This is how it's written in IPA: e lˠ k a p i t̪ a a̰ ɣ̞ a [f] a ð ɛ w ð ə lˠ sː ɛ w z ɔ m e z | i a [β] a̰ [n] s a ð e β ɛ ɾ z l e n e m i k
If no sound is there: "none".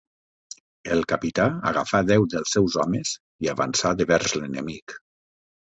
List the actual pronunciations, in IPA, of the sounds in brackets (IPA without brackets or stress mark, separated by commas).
f, β, n